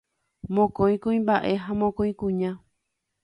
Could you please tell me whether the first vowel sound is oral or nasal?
nasal